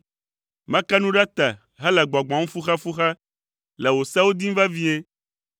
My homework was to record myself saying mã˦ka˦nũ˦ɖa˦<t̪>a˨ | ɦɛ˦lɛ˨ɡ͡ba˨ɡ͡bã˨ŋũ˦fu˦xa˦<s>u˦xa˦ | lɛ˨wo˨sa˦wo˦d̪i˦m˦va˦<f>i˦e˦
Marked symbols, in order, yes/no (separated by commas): yes, no, no